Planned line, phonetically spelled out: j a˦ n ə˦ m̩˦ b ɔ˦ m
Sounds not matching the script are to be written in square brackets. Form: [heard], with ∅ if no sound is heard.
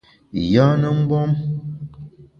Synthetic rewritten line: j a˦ n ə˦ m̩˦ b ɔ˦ m